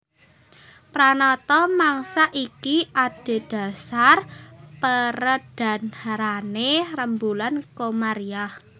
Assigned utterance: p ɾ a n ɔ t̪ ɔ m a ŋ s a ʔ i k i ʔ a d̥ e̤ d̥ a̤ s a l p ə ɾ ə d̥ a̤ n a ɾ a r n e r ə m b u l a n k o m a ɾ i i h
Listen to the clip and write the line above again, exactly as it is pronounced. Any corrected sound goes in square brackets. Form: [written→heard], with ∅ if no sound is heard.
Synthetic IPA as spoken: p ɾ a n ɔ t̪ ɔ m a ŋ s a ʔ i k i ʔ a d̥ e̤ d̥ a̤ s a [l→r] p ə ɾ ə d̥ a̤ n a ɾ a [r→∅] n e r ə m b u l a n k o m a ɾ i [i→a] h

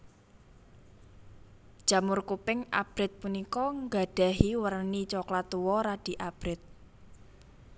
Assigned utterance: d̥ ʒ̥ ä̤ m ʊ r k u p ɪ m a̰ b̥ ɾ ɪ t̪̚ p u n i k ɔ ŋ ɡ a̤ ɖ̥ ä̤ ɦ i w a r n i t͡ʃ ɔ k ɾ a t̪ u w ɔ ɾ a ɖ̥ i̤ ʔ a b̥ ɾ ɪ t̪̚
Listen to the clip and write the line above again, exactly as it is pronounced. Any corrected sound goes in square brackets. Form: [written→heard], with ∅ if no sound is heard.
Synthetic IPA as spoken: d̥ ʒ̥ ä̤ m ʊ r k u p ɪ [m→ŋ] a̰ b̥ ɾ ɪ t̪̚ p u n i k ɔ ŋ ɡ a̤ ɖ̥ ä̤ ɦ i w [a→ə] r n i t͡ʃ ɔ k [ɾ→l] a t̪ u w ɔ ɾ a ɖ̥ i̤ ʔ a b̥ ɾ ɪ t̪̚

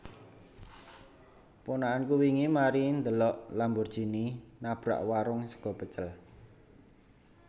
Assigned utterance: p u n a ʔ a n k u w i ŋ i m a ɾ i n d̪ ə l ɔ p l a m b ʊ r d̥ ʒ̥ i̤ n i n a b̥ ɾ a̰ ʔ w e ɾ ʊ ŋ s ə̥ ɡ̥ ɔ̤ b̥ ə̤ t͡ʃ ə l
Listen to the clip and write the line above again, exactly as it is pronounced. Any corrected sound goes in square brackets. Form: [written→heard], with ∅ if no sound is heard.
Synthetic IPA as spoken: p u n a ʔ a n k u w i ŋ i m a ɾ i n d̪ ə l ɔ [p→ʔ] l a m b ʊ r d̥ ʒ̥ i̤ n i n a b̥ ɾ a̰ ʔ w [e→a] ɾ ʊ ŋ s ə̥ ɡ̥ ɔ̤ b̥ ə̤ t͡ʃ ə l

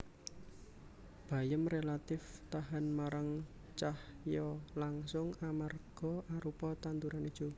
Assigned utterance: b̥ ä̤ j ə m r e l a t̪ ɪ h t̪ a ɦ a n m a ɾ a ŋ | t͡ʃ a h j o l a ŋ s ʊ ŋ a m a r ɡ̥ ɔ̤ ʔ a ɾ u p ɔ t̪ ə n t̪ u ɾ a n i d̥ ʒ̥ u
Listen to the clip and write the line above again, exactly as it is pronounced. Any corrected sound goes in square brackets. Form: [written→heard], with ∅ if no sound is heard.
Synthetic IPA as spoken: b̥ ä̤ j ə m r e l a t̪ ɪ [h→f] t̪ a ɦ a n m a ɾ a ŋ | t͡ʃ a h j [o→ɔ] l a ŋ s ʊ ŋ a m a r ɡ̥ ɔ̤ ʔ a ɾ u p ɔ t̪ [ə→a] n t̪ u ɾ a n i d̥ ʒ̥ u

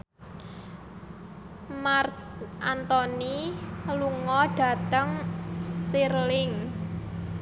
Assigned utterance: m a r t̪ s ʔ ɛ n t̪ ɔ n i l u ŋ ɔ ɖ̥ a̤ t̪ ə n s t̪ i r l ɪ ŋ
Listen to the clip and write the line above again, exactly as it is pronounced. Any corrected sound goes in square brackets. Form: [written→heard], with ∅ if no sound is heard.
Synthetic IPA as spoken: m a r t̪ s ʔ [ɛ→a] n t̪ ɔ n i l u ŋ ɔ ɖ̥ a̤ t̪ ə [n→ŋ] s t̪ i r l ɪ ŋ

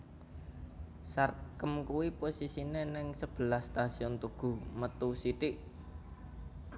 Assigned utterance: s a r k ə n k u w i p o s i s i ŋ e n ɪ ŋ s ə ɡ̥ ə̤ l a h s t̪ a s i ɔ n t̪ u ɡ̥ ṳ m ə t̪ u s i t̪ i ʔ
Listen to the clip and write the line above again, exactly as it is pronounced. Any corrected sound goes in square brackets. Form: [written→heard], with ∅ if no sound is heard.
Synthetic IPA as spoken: s a r k ə [n→m] k u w i p o s i s i [ŋ→n] e n ɪ ŋ s ə [ɡ̥→b̥] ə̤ l a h s t̪ a s i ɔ n t̪ u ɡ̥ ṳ m ə t̪ u s i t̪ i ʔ

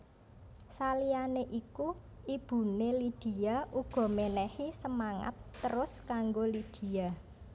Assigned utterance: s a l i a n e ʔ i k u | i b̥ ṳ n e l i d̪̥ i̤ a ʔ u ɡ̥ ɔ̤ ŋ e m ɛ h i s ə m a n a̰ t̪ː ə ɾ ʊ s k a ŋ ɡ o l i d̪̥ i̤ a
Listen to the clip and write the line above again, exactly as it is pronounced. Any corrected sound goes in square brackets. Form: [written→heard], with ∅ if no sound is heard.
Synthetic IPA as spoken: s a l i a n e ʔ i k u | i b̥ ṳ n e l i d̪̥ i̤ a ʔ u ɡ̥ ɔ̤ [ŋ→m] e [m→n] ɛ h i s ə m a [n→ŋ] a̰ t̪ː ə ɾ ʊ s k a ŋ ɡ o l i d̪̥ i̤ a

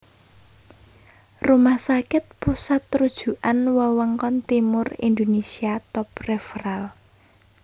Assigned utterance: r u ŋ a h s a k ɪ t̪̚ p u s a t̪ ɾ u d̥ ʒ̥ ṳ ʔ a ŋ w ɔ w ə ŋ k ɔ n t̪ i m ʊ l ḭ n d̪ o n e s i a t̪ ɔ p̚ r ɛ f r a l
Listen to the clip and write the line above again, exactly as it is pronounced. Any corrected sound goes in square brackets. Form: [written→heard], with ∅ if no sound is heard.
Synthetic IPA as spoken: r u [ŋ→m] a h s a k ɪ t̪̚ p u s a t̪ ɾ u d̥ ʒ̥ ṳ ʔ a [ŋ→n] w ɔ w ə ŋ k ɔ n t̪ i m ʊ [l→r] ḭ n d̪ o n e s i a t̪ ɔ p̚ r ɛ f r a l

